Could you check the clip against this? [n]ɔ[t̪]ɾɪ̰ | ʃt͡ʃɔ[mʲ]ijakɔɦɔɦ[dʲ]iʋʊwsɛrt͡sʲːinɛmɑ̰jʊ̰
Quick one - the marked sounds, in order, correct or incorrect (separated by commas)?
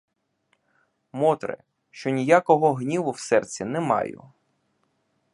incorrect, correct, incorrect, incorrect